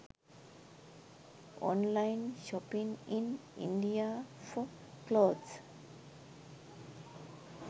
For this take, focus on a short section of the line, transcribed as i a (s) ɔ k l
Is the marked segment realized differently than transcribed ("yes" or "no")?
yes